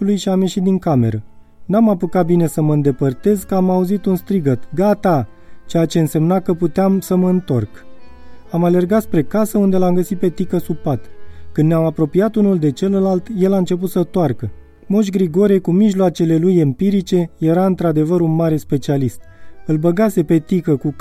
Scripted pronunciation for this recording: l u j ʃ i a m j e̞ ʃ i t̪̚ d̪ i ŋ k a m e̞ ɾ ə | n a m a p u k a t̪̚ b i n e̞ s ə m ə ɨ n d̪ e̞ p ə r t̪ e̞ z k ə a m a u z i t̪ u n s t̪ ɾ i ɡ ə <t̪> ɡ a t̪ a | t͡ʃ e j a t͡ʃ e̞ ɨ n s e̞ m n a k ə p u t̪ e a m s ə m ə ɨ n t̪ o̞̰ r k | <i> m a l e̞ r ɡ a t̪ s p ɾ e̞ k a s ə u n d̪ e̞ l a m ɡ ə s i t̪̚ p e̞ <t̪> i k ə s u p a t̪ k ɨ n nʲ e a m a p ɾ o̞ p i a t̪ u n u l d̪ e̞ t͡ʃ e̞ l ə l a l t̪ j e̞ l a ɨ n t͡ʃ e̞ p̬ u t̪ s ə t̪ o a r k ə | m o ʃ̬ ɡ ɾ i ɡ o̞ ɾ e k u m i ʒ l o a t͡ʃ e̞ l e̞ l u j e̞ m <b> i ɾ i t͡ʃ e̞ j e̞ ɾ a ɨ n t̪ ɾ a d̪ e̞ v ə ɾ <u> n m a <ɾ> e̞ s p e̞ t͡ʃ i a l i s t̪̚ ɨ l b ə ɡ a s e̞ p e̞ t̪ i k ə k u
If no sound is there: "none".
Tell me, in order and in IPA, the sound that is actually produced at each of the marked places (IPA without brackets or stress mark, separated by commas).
t̪, a, t̪, p, u, ɾ